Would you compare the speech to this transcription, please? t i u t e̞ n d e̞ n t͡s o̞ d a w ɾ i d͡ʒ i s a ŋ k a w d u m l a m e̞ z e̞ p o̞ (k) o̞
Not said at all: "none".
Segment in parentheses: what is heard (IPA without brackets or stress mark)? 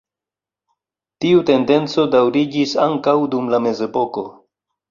k